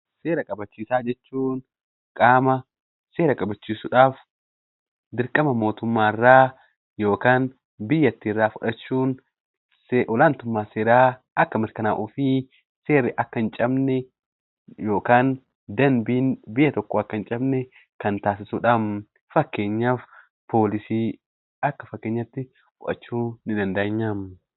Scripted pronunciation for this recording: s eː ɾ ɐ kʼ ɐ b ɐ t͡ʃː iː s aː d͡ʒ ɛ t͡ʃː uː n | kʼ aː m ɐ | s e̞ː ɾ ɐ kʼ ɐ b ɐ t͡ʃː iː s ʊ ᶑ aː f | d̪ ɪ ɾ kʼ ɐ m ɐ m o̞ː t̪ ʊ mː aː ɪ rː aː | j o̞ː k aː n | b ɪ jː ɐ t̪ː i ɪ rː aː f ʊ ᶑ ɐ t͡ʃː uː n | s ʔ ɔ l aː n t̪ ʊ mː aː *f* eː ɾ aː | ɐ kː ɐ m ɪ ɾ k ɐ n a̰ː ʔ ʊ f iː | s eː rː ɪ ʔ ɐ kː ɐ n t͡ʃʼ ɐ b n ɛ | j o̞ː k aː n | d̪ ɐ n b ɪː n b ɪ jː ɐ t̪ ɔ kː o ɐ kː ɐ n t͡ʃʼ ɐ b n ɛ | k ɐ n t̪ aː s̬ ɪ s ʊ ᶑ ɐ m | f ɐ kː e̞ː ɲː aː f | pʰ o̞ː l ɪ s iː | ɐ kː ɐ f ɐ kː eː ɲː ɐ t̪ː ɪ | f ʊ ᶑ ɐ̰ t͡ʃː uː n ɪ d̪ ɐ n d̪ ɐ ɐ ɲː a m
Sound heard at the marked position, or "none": s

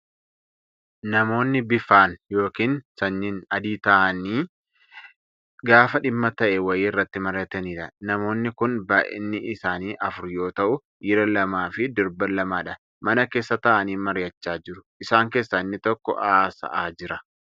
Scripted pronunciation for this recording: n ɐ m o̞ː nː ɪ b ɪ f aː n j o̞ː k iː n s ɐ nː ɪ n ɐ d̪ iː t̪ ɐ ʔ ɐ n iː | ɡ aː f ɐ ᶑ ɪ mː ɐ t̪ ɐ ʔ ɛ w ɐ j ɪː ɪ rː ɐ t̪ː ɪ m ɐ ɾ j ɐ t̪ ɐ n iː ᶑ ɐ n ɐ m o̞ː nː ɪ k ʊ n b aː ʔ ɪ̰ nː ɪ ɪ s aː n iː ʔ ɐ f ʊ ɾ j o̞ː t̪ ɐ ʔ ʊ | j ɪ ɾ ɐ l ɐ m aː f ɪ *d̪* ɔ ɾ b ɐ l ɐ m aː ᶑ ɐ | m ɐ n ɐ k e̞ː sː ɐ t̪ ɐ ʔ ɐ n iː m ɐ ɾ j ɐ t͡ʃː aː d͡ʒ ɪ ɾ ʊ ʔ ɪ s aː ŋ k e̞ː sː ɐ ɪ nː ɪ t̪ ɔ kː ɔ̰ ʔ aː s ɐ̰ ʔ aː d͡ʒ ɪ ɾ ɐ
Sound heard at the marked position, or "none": d̪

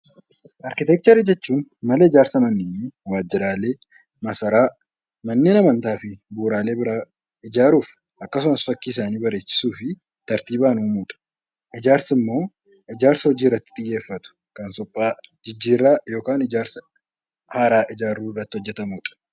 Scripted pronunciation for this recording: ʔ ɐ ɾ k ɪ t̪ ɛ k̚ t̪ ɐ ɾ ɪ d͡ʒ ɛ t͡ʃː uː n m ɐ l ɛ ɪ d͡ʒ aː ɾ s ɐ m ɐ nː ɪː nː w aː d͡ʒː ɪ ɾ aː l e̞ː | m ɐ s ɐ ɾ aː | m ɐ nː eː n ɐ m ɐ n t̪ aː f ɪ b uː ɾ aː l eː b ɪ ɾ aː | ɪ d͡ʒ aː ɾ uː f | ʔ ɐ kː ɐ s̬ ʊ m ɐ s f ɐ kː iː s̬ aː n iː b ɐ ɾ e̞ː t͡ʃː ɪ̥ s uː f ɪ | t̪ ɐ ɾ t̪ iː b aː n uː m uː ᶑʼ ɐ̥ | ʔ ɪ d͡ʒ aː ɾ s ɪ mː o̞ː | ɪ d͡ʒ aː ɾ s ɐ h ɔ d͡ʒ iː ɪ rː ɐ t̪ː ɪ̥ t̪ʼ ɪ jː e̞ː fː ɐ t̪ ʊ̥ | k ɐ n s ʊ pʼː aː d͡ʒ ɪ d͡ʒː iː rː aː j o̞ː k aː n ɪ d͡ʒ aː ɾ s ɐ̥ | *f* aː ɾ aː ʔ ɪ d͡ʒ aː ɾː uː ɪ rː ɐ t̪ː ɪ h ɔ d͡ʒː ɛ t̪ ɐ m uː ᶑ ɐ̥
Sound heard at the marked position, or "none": h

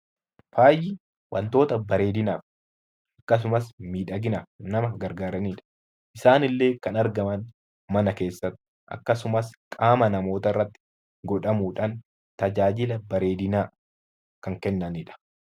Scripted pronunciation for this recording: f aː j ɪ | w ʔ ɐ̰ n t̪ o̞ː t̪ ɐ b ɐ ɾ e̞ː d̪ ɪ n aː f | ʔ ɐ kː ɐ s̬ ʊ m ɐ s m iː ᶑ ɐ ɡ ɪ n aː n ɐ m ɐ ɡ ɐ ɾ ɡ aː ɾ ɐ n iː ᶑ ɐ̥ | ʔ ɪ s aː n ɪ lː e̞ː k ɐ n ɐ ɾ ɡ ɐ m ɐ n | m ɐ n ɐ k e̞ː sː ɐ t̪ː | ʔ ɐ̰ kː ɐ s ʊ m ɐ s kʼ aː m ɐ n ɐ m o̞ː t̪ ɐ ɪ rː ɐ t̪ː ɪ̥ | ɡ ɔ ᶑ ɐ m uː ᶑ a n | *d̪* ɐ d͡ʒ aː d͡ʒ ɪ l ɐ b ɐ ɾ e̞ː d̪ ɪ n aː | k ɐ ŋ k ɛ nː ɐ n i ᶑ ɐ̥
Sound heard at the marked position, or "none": t̪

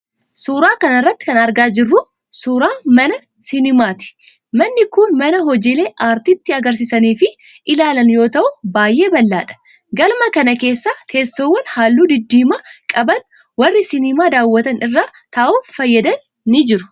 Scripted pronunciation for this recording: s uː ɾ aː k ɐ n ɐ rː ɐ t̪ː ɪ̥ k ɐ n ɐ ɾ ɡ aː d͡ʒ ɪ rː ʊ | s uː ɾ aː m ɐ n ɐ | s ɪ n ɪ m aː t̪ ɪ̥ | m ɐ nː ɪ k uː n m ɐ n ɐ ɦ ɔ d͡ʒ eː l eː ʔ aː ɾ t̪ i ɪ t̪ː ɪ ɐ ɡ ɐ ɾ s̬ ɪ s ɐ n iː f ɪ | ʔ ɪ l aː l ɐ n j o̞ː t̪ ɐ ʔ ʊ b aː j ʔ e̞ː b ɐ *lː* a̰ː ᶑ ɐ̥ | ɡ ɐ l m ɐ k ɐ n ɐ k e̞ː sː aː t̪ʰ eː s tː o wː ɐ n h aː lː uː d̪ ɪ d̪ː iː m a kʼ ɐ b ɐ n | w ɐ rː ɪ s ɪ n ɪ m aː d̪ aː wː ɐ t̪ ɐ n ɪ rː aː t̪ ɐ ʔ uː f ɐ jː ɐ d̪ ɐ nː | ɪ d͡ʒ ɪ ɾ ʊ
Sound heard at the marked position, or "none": lː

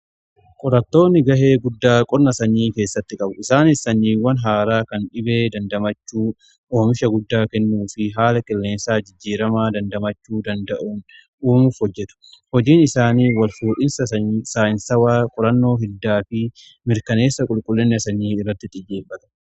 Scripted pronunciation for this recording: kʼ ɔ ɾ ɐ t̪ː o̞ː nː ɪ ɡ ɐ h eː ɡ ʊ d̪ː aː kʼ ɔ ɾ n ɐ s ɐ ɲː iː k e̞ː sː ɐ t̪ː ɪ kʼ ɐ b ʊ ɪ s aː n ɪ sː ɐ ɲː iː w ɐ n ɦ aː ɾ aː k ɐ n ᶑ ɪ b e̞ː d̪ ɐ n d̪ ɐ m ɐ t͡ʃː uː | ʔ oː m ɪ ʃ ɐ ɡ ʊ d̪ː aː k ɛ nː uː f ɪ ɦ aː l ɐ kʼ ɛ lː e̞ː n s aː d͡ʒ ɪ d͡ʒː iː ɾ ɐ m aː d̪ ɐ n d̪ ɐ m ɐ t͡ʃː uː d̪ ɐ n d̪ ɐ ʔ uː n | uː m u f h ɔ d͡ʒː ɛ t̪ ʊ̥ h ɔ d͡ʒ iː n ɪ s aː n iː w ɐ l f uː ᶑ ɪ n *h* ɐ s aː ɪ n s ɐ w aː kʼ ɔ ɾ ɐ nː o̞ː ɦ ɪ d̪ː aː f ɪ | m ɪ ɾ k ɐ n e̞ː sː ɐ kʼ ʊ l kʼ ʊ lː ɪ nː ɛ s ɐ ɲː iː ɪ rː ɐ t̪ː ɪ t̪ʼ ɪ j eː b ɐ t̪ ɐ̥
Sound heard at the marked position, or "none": s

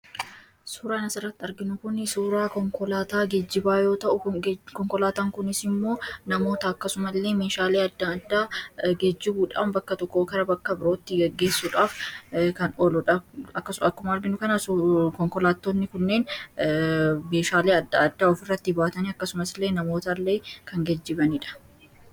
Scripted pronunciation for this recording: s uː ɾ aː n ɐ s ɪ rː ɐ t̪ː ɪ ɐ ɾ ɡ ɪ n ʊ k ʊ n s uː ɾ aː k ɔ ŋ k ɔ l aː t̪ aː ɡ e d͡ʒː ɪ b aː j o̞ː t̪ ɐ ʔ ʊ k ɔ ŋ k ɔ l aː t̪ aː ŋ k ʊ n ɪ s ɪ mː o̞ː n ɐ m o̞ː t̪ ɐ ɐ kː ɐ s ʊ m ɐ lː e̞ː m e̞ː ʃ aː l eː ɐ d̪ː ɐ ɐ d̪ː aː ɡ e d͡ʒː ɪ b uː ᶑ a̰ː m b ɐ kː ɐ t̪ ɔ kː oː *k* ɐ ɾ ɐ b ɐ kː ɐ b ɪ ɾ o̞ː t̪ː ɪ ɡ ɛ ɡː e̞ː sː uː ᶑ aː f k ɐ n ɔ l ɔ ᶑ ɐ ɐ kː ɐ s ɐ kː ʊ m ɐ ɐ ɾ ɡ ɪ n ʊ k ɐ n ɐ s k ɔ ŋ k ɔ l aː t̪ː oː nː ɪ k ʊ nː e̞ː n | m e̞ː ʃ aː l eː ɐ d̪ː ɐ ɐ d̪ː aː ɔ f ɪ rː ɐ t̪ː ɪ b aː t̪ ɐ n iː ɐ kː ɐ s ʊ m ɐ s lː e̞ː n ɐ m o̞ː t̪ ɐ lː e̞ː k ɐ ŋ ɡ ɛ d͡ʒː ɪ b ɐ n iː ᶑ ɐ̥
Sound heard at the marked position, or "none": k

